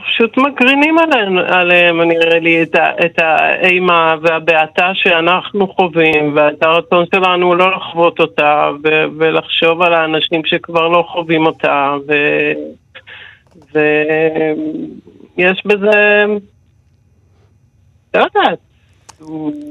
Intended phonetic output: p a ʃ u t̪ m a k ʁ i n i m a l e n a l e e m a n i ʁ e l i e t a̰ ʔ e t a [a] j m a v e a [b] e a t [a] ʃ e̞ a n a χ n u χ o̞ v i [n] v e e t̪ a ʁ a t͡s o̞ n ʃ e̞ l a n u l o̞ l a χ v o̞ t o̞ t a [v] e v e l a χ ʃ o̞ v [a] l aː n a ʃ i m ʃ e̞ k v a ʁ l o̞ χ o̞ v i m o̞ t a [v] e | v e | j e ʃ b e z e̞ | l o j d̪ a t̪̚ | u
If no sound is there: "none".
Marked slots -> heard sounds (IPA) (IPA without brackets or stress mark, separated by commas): e, b, a, m, v, a, v